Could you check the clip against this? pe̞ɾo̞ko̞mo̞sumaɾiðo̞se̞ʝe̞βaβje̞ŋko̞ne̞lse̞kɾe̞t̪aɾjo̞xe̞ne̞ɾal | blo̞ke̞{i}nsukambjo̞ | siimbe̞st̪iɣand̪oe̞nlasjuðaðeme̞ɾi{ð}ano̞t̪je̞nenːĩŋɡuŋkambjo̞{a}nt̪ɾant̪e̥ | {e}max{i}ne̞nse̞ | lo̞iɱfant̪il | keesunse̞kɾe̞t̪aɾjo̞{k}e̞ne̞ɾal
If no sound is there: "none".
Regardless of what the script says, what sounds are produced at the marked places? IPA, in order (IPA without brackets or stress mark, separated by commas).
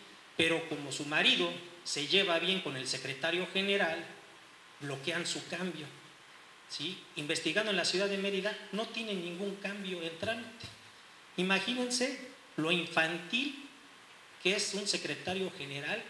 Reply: a, ð, e, i, i, x